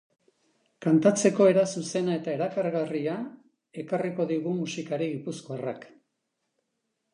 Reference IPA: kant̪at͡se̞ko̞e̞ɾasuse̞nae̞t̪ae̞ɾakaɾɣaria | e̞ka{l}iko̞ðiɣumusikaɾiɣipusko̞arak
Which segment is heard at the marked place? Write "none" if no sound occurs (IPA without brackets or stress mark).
r